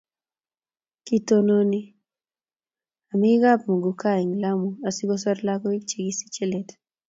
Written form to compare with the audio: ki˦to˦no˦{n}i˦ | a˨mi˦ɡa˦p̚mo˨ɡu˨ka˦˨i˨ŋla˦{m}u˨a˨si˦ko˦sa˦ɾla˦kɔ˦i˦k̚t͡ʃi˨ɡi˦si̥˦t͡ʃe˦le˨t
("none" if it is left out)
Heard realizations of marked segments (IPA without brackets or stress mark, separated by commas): n, m